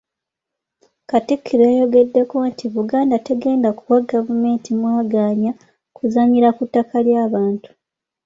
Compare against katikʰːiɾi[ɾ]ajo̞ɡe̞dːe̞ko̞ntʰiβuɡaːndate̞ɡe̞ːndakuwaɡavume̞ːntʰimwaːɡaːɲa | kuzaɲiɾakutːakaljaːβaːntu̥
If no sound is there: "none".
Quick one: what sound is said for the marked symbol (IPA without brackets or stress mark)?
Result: none